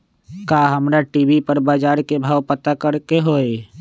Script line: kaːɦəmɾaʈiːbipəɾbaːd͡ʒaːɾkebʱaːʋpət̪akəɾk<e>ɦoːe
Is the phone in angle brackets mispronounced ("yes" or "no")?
no